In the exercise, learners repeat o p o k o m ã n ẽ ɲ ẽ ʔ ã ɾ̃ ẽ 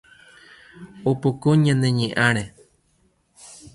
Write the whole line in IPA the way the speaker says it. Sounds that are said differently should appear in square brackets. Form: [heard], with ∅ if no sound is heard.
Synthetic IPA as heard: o p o k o [ɲ] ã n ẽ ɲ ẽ ʔ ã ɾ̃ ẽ